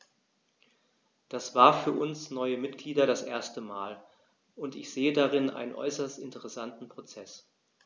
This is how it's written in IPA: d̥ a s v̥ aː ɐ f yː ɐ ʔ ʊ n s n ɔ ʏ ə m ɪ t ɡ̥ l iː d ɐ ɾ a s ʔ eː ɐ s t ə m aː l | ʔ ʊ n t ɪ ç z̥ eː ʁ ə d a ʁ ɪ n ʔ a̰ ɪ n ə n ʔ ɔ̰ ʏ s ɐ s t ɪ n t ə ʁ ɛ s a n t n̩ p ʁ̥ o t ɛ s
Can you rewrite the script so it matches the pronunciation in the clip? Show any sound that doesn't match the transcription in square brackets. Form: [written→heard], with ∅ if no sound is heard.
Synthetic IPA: d̥ a s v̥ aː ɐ f yː ɐ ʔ ʊ n s n ɔ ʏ ə m ɪ t ɡ̥ l iː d ɐ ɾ a s ʔ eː ɐ s t ə m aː l | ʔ ʊ n t ɪ ç z̥ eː [ʁ→∅] ə d a ʁ ɪ n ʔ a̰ ɪ n ə n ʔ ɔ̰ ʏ s ɐ s t ɪ n t ə ʁ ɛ s a n t n̩ p ʁ̥ o [t→t͡s] ɛ s